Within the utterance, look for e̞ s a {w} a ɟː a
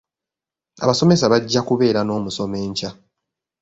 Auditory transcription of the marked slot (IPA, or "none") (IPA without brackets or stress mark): β